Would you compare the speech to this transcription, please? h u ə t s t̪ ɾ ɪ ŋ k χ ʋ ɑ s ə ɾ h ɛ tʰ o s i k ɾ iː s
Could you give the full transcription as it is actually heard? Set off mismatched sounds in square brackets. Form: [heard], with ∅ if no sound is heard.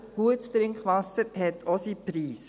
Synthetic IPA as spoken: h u ə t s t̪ ɾ ɪ ŋ k χ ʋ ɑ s ə ɾ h ɛ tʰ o s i [p] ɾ iː s